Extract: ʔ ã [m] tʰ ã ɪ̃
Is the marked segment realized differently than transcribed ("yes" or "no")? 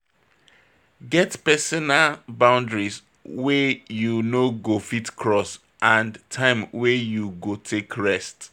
yes